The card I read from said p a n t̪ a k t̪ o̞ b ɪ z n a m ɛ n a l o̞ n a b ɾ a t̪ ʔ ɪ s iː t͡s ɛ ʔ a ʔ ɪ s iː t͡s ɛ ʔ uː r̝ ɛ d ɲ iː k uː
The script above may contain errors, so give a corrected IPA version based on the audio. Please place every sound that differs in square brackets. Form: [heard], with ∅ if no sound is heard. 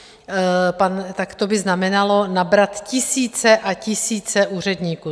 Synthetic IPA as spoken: p a n t̪ a k t̪ o̞ b ɪ z n a m ɛ n a l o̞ n a b ɾ a t̪ [c] ɪ s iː t͡s ɛ ʔ a [c] ɪ s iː t͡s ɛ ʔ uː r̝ ɛ d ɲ iː k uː